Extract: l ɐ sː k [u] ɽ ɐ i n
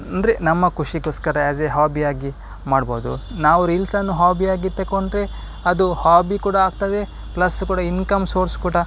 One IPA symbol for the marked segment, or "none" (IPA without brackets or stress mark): uː